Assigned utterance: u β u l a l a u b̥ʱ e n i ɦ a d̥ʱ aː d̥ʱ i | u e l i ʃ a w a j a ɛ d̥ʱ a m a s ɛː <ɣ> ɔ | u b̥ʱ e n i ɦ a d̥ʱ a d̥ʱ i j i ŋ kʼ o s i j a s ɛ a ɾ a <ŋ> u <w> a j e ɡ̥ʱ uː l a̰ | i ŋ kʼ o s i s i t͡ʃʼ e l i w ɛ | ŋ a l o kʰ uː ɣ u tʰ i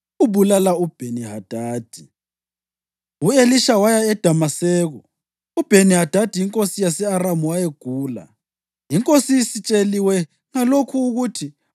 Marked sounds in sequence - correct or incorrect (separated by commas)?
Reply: correct, incorrect, correct